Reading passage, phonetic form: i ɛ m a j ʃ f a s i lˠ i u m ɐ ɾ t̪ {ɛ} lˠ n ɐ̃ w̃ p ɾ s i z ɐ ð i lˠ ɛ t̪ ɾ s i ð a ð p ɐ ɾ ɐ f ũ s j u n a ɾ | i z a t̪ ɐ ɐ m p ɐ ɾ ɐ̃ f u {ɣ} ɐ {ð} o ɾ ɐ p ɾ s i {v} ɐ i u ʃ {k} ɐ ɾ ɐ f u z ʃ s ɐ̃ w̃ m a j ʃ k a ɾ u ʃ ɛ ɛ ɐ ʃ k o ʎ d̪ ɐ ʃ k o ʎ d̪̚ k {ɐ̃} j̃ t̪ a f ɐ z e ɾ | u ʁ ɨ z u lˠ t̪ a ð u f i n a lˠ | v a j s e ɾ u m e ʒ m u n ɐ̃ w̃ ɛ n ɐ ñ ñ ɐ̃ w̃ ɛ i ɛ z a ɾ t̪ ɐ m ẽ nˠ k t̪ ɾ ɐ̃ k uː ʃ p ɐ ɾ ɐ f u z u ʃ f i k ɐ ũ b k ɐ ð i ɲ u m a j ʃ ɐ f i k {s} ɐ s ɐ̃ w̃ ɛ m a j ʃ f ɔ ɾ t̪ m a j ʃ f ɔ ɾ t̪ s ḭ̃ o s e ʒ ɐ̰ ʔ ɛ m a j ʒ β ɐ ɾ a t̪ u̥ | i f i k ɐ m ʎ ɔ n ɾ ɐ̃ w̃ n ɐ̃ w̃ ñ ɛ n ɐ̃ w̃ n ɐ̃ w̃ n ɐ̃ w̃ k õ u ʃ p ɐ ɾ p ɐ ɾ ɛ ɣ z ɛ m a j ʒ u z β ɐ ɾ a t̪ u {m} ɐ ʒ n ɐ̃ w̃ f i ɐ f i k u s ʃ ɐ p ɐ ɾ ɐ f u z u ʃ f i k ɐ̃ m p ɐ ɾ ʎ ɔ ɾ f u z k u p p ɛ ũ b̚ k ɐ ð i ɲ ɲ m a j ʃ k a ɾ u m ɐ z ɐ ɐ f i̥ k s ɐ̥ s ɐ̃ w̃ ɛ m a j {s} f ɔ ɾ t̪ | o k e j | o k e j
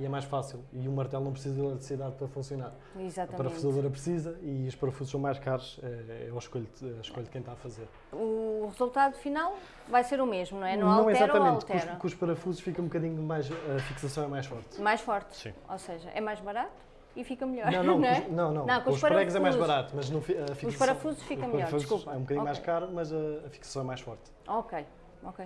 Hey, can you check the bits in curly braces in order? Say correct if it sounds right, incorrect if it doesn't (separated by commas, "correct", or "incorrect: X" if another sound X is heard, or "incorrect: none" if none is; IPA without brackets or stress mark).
correct, incorrect: z, correct, incorrect: z, incorrect: p, correct, correct, correct, incorrect: ʃ